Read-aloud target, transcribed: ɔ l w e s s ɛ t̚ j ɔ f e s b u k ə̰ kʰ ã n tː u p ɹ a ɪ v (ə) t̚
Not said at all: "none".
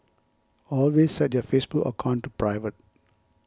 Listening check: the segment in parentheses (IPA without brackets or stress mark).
ə